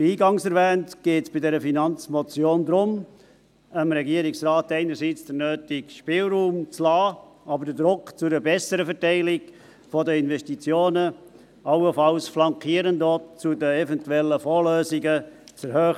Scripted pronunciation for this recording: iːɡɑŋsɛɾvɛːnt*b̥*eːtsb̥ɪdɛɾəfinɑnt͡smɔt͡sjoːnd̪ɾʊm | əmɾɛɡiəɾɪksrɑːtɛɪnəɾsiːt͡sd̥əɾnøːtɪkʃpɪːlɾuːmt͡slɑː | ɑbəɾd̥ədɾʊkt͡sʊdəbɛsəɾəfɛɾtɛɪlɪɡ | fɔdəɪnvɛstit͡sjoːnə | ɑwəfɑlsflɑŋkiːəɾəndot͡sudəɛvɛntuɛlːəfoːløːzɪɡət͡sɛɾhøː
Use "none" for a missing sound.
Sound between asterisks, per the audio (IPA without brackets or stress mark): ɡ̥